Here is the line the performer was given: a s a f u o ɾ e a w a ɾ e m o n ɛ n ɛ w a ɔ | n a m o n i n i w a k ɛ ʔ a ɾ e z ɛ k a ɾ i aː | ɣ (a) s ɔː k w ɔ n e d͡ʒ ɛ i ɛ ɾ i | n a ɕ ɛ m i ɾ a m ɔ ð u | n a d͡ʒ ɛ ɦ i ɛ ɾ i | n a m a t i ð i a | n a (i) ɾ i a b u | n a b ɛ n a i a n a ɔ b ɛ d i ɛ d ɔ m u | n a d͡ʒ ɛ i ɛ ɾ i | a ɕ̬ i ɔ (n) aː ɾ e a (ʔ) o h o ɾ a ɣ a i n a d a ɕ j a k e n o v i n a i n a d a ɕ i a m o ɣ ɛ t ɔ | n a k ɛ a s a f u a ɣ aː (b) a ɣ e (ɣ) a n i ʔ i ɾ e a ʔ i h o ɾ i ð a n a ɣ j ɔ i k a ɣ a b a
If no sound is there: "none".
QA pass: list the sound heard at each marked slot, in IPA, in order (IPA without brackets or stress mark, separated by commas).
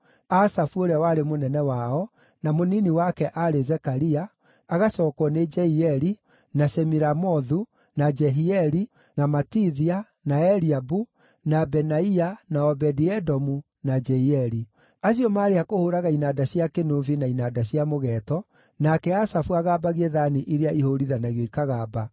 a, ɛ, m, k, b, ð